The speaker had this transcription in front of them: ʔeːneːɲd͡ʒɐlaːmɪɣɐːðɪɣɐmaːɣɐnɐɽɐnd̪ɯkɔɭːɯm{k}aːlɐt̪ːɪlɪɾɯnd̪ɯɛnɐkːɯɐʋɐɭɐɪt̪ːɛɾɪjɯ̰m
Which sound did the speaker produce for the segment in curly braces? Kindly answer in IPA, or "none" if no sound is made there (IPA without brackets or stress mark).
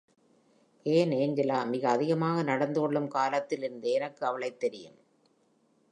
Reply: k